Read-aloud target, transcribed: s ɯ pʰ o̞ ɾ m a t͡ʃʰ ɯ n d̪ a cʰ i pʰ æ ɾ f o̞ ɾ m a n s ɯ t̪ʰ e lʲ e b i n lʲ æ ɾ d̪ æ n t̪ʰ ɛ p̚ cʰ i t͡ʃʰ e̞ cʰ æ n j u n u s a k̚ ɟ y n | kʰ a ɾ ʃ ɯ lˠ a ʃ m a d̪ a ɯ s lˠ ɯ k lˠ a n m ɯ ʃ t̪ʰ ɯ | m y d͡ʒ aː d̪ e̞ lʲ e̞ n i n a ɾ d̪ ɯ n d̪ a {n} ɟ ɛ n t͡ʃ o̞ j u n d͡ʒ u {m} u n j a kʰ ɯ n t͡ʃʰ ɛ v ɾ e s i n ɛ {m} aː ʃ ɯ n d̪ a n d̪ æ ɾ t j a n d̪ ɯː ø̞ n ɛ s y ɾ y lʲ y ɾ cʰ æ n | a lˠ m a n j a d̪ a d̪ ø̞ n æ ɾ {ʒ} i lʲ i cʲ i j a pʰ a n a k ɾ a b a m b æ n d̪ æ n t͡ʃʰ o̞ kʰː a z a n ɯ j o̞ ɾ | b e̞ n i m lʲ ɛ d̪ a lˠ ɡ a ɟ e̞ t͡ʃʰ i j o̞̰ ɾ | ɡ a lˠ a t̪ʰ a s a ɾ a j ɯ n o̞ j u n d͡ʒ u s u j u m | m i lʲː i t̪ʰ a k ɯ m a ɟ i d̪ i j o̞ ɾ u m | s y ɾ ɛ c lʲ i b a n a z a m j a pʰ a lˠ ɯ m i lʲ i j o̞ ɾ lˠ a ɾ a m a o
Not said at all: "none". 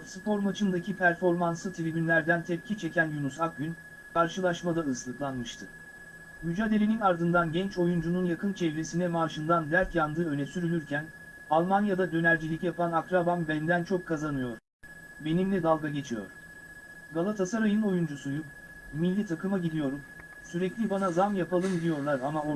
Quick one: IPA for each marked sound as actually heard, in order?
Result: n, n, m, d͡ʒ

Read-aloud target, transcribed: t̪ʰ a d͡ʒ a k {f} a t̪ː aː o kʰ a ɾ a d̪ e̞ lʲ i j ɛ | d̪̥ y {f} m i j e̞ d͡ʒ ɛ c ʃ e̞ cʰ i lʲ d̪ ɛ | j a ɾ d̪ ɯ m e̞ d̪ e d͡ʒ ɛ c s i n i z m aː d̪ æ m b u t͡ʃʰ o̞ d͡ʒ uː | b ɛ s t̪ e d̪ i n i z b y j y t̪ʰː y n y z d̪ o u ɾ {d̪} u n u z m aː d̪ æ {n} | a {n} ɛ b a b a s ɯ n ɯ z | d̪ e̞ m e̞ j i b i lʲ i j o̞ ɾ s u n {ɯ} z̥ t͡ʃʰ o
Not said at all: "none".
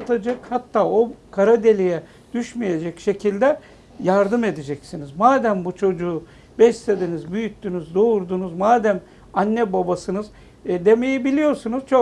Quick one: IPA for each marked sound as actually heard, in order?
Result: h, ʃ, d̪, m, nː, u

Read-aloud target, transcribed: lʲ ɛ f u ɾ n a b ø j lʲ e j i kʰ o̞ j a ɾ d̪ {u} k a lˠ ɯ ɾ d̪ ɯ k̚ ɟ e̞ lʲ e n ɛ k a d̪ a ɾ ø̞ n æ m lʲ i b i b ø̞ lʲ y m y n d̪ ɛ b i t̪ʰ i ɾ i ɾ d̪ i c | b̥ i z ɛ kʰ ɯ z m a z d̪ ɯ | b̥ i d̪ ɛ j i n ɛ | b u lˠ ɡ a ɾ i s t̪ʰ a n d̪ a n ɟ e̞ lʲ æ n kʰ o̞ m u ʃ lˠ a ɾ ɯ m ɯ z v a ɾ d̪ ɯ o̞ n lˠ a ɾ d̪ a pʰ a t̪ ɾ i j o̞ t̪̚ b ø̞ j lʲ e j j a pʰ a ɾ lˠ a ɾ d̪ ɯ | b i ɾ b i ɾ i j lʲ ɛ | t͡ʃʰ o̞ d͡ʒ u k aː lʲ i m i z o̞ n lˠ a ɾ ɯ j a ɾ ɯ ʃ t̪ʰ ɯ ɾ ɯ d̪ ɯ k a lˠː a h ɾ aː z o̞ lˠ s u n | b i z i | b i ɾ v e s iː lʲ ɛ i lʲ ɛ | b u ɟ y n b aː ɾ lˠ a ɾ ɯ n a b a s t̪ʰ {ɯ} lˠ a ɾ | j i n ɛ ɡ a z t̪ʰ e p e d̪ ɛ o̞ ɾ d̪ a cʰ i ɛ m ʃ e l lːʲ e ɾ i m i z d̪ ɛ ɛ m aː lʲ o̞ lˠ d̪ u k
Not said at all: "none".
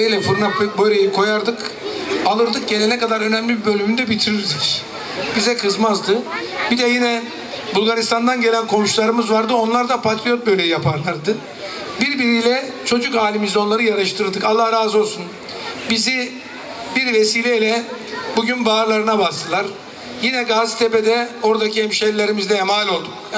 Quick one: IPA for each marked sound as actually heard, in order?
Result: ɯ, ɯ

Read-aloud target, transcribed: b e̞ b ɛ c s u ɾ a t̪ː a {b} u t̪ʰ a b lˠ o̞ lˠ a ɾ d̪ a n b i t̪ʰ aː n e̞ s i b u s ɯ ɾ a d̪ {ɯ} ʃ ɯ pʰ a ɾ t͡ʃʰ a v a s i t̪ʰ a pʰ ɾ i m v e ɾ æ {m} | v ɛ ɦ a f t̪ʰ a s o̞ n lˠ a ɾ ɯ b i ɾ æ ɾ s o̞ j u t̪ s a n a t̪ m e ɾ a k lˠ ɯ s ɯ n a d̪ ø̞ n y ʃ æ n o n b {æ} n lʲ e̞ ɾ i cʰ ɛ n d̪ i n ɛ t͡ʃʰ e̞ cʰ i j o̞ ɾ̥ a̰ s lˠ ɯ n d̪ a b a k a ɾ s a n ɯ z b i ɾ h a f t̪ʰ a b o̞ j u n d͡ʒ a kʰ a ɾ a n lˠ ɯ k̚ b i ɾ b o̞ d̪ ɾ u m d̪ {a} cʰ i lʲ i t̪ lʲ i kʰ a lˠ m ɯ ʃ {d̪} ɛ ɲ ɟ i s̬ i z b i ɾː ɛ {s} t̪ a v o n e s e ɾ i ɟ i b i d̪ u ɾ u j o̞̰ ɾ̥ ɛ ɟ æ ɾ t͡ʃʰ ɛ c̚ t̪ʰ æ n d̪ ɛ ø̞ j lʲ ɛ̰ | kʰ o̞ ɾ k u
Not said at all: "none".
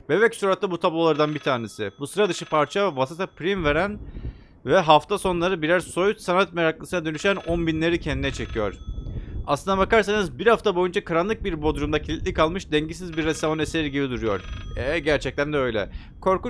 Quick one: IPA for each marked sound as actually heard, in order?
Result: b, ɯ, n, i, a, d̪, s

